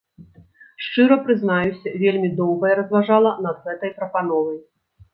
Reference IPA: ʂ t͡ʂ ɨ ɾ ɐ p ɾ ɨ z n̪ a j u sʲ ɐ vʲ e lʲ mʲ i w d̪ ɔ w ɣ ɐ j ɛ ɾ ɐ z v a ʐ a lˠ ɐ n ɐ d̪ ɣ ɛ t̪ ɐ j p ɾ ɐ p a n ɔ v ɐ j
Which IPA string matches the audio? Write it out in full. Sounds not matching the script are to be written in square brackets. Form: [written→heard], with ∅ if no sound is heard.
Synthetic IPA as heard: ʂ t͡ʂ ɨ ɾ ɐ p ɾ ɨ z n̪ a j u sʲ ɐ vʲ e lʲ mʲ i [w→∅] d̪ ɔ w ɣ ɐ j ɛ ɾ ɐ z v a ʐ a lˠ ɐ n ɐ d̪ ɣ ɛ t̪ ɐ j p ɾ ɐ p a n ɔ v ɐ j